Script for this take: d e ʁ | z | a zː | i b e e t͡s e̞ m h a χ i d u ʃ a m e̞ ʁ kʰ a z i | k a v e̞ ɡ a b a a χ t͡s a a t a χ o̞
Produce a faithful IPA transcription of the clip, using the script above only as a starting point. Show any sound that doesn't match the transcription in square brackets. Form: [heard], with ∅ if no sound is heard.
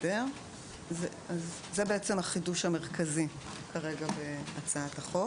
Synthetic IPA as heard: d e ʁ | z | a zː | [e] b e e t͡s e̞ m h a χ i d u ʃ a m e̞ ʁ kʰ a z i | k a [ʁ] e̞ ɡ a b [e] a [∅] t͡s a a t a χ o̞